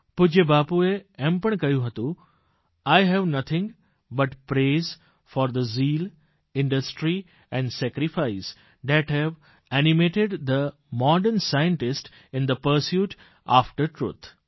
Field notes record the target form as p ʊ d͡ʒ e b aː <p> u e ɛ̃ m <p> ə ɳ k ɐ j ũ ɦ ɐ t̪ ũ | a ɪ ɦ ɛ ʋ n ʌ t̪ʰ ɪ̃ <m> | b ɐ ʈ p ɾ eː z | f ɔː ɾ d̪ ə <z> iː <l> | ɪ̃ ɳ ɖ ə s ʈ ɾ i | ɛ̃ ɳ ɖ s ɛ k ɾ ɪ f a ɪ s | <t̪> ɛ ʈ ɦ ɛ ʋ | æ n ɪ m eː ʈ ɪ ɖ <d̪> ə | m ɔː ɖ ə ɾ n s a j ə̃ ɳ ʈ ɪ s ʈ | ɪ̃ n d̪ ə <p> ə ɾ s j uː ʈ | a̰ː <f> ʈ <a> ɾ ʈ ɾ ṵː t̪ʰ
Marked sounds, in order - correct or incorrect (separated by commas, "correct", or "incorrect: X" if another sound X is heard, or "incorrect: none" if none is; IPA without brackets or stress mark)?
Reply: correct, correct, incorrect: ŋ, correct, correct, incorrect: d̪, correct, correct, correct, incorrect: ə